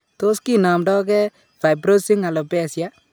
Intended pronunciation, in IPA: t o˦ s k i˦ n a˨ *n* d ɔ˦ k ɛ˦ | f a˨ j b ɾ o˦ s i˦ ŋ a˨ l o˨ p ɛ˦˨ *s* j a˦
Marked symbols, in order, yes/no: no, yes

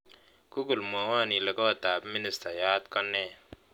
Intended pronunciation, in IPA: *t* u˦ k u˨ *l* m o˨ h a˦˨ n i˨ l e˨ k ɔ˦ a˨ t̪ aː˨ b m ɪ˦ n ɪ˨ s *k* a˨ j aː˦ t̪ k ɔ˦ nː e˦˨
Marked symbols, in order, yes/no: no, yes, no

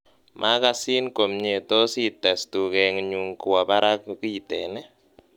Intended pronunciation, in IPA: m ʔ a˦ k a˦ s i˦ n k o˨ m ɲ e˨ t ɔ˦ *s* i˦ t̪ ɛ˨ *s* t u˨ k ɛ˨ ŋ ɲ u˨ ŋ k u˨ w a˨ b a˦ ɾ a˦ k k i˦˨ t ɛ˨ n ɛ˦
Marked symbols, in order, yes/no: yes, yes

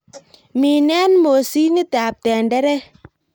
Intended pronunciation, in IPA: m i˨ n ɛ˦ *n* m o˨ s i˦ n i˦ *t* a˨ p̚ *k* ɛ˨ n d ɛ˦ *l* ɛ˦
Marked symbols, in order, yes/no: yes, yes, no, no

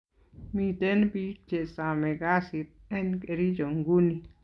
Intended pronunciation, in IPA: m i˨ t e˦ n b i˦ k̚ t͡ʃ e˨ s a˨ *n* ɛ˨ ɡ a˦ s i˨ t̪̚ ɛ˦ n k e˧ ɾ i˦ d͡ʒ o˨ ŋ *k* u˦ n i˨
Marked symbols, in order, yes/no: no, no

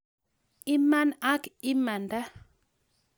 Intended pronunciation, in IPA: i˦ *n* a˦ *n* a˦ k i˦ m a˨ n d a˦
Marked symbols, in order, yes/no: no, yes

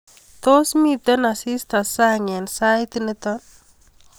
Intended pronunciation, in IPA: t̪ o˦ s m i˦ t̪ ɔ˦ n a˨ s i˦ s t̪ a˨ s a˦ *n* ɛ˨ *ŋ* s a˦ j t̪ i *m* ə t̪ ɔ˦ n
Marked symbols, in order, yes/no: no, no, no

